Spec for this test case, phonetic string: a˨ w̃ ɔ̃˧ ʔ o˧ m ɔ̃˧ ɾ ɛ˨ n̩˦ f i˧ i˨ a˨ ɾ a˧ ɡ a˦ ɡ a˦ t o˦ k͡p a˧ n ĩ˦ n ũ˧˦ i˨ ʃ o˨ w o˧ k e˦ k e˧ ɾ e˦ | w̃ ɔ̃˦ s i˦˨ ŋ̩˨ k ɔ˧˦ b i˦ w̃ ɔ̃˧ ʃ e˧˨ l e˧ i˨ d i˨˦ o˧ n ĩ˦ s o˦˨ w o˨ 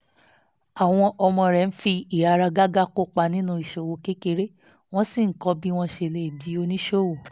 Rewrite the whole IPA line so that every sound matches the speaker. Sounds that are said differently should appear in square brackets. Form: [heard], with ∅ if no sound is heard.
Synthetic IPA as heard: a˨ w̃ ɔ̃˧ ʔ [ɔ˧] m ɔ̃˧ ɾ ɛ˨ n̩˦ f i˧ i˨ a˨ ɾ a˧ ɡ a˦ ɡ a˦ [k] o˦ k͡p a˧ n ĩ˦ n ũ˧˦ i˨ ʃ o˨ w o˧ k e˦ k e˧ ɾ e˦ | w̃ ɔ̃˦ s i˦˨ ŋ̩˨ k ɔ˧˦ b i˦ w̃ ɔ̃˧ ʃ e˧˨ l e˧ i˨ d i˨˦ o˧ n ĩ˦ [ʃ] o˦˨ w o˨